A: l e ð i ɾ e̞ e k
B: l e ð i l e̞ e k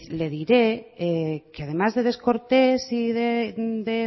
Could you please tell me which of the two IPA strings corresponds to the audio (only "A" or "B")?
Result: A